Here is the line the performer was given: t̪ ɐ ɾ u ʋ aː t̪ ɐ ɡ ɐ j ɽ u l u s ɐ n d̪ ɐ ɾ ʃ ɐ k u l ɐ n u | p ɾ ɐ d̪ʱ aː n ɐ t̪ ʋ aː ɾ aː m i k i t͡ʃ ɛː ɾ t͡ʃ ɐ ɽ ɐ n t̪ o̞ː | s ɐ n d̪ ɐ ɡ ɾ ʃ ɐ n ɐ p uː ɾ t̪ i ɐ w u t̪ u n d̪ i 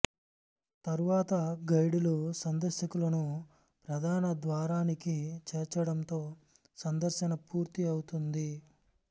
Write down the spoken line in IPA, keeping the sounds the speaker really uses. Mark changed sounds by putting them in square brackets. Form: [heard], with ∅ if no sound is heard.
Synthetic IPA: t̪ ɐ ɾ u ʋ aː t̪ ɐ ɡ ɐ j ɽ u l u s ɐ n d̪ ɐ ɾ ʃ ɐ k u l ɐ n u | p ɾ ɐ d̪ʱ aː n ɐ [d̪] ʋ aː ɾ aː [n] i k i t͡ʃ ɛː ɾ t͡ʃ ɐ ɽ ɐ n t̪ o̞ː | s ɐ n d̪ ɐ [∅] ɾ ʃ ɐ n ɐ p uː ɾ t̪ i ɐ w u t̪ u n d̪ i